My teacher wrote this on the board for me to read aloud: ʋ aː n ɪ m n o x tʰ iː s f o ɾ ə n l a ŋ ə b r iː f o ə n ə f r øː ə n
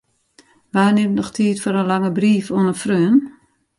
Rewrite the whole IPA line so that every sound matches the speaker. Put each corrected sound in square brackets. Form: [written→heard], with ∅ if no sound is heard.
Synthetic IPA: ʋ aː n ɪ m n [o→ɔ] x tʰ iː [s→t] f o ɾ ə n l a ŋ ə b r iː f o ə n ə f r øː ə n